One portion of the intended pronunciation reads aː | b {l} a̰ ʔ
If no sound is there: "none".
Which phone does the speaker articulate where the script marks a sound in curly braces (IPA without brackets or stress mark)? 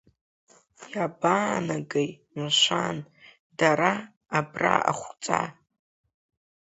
r